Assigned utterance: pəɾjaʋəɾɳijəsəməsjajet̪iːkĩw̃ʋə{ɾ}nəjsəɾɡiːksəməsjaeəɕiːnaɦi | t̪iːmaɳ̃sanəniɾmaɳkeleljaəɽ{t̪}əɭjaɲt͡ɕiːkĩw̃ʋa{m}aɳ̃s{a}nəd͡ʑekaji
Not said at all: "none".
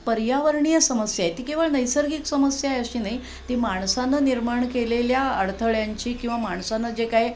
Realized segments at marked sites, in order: ɭ, t̪ʰ, m, a

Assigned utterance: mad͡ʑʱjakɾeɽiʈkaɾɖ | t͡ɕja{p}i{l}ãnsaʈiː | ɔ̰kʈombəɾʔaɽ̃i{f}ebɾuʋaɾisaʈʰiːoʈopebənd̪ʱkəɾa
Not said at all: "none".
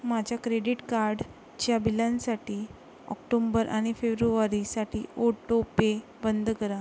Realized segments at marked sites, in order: b, l, f

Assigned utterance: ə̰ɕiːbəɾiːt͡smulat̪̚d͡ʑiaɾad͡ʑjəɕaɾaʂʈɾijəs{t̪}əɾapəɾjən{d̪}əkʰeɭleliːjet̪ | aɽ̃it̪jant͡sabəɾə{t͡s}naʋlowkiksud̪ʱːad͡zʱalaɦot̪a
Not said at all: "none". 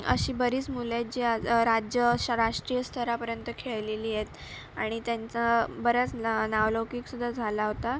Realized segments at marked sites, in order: t̪ʰ, t̪, t͡s

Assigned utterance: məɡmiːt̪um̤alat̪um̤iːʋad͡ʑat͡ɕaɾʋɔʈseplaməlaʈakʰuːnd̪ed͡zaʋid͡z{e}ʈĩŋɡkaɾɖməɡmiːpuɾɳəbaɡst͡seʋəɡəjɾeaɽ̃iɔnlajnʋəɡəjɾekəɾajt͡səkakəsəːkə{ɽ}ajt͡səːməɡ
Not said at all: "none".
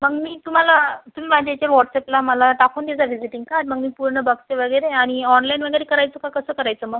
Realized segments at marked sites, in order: i, ɾ

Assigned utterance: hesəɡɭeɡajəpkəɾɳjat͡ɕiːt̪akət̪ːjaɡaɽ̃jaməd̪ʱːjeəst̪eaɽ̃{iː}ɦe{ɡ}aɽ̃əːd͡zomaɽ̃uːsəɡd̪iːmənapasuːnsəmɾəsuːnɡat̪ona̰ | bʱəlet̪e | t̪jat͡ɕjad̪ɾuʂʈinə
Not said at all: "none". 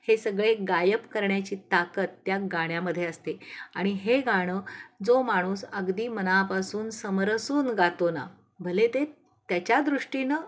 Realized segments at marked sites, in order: i, ɡ

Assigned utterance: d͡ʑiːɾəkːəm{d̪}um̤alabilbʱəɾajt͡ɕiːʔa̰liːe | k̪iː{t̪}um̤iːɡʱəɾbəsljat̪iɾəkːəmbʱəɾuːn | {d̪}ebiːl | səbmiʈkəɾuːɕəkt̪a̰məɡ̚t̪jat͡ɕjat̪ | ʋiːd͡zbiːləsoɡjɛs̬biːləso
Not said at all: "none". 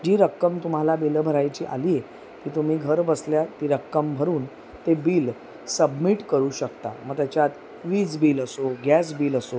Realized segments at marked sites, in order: t̪, t̪, t̪

